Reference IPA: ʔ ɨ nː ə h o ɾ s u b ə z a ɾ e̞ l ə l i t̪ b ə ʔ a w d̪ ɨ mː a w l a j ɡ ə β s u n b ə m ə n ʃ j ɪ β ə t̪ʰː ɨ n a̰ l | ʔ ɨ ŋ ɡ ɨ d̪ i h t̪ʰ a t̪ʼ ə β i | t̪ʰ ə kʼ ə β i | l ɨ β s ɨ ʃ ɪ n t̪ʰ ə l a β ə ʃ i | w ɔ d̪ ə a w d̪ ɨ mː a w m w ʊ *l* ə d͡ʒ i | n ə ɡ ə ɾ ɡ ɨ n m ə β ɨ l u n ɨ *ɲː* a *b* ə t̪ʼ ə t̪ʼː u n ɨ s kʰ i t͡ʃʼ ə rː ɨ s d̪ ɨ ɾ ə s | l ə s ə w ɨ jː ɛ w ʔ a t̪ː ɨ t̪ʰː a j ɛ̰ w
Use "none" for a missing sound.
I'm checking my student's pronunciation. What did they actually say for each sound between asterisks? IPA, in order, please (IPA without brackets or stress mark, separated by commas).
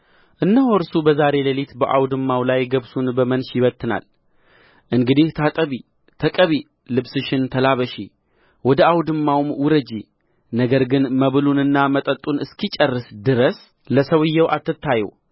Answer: ɾ, nː, m